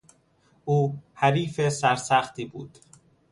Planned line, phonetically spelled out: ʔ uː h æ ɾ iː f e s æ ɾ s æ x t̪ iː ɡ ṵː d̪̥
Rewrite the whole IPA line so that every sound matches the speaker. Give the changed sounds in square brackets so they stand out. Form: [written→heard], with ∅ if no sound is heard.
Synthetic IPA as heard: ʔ uː h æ ɾ iː f e s æ ɾ s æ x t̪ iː [ɡ→b] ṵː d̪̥